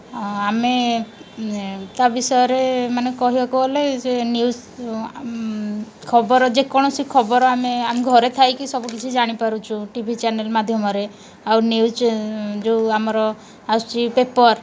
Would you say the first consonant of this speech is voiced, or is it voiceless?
voiced